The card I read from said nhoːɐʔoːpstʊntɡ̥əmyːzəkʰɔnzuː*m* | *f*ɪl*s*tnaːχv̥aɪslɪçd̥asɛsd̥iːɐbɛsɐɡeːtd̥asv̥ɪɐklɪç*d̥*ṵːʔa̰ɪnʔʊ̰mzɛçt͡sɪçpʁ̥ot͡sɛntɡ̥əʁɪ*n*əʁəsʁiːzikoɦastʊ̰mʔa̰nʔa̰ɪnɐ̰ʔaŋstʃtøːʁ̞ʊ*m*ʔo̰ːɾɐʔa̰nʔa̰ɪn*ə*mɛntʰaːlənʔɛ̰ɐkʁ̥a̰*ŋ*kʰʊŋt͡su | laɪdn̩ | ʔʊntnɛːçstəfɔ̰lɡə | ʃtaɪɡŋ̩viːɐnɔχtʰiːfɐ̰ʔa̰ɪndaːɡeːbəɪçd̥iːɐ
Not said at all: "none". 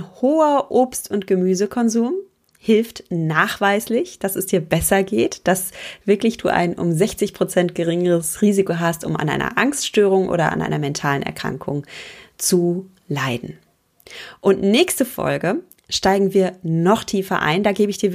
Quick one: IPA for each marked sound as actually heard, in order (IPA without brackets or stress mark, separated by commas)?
m, h, f, d̥, ŋ, ŋ, ɐ, ŋ